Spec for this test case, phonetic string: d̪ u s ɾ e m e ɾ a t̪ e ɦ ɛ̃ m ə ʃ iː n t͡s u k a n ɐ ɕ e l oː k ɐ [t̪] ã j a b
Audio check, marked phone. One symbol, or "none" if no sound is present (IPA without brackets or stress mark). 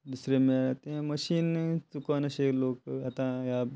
t̪